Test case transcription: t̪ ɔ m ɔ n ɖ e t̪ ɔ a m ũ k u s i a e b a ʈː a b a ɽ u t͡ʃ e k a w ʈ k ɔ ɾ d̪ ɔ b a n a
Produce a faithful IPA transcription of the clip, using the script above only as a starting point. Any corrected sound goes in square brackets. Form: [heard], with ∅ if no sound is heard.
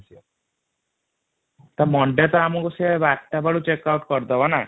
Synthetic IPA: t̪ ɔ m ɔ [ɳ] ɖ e t̪ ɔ a m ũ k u s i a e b a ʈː a b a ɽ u t͡ʃ e k a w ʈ k ɔ ɾ d̪ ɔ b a n a